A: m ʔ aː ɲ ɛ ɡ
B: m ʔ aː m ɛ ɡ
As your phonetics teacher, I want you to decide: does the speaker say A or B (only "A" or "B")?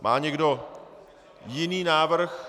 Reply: A